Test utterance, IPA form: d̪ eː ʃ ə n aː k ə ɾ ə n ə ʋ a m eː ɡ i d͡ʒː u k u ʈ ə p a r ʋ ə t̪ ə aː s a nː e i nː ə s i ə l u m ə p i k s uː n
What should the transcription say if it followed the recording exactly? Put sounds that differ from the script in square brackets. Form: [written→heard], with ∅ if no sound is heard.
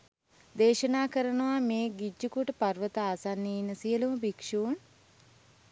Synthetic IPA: d̪ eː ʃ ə n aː k ə ɾ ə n ə ʋ a m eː ɡ i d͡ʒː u k u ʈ ə p a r ʋ ə t̪ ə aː s a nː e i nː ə s i ə l u m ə [p→b] i k [s→ʂ] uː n